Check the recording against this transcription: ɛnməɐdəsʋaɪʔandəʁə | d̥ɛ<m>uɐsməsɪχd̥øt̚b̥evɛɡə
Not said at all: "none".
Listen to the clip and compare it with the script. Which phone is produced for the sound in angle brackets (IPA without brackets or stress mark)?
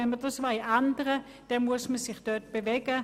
m